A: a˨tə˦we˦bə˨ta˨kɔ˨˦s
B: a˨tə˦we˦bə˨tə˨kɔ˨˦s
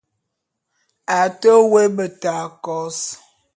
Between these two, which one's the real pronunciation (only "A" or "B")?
A